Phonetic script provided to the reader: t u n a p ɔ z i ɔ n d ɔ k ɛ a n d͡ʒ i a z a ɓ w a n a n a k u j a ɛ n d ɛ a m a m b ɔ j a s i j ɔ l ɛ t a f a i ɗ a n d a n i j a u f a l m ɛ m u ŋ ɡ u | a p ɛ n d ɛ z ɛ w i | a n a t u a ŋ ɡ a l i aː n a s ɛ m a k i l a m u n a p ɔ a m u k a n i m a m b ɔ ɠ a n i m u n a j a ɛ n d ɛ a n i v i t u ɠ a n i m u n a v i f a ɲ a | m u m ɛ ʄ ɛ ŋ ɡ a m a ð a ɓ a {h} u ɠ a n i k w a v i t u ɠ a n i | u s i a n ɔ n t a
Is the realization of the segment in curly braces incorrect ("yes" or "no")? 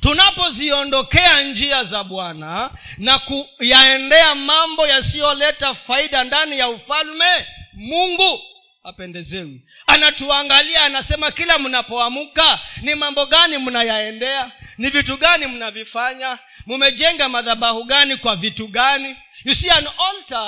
no